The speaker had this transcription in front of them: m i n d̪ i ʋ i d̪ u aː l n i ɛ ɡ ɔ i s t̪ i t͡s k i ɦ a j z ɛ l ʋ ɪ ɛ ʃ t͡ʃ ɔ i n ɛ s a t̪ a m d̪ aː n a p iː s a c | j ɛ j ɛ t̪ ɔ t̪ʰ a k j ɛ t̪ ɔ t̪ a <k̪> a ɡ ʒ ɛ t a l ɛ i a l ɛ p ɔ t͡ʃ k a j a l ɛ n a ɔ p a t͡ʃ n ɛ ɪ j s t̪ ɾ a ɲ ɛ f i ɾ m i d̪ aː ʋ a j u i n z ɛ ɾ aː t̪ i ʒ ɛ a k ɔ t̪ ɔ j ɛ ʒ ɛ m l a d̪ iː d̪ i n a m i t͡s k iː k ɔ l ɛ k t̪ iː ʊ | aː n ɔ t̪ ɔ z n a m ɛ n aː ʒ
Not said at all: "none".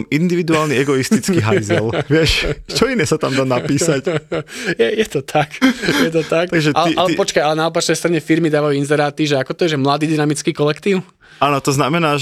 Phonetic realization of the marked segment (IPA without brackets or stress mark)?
k̪